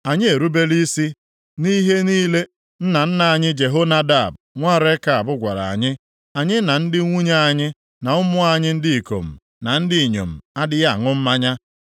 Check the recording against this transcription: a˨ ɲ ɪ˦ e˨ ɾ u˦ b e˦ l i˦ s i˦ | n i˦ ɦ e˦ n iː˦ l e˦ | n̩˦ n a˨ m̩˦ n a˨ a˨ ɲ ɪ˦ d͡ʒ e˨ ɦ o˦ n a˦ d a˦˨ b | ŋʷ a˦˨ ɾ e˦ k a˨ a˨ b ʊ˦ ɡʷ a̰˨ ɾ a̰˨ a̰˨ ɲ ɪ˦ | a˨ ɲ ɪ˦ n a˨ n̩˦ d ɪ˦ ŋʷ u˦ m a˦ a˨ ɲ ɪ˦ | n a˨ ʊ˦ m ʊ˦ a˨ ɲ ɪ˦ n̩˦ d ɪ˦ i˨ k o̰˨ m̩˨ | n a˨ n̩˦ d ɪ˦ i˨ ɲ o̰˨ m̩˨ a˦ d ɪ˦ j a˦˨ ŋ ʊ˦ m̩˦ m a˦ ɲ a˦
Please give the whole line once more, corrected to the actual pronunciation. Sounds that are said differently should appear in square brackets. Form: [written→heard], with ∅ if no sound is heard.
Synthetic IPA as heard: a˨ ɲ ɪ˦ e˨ ɾ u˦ b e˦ l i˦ s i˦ | n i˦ ɦ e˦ n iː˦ l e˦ | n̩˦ n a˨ [m̩˦→n̩˦] n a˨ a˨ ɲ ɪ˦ d͡ʒ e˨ ɦ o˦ n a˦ d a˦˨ b | ŋʷ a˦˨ ɾ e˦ k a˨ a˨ b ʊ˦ ɡʷ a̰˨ ɾ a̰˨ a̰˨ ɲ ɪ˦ | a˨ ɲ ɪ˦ n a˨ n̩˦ d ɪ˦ ŋʷ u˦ [m→ɲ] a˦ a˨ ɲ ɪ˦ | n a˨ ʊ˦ m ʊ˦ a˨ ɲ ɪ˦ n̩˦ d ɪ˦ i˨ k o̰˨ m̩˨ | n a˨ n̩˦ d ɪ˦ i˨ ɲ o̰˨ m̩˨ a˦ d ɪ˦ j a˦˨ ŋ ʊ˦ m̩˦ m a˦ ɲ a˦